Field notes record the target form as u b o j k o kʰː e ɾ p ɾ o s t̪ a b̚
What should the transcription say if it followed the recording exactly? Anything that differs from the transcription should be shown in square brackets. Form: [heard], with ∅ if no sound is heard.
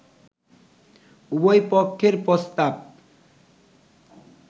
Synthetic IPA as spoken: u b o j [p] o kʰː e ɾ p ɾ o s t̪ a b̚